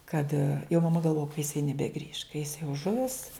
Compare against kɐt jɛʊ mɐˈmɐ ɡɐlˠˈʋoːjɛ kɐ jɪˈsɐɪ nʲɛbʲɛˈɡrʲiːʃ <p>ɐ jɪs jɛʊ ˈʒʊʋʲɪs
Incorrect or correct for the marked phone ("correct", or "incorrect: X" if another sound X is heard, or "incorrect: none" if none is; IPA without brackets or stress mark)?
incorrect: k